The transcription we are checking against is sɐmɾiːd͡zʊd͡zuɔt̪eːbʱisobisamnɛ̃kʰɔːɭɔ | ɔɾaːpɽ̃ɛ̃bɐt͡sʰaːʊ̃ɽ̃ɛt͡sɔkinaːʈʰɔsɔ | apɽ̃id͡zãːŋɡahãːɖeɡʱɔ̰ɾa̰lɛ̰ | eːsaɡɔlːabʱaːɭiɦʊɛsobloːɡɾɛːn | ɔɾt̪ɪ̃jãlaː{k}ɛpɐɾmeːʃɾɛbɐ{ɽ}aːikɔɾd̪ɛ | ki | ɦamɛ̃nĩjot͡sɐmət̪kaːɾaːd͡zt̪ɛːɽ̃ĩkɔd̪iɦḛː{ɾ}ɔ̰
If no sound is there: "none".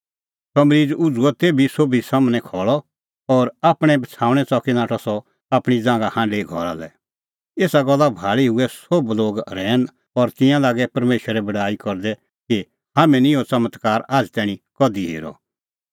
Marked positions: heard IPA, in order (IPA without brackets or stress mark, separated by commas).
ɡ, ɽ, ɾ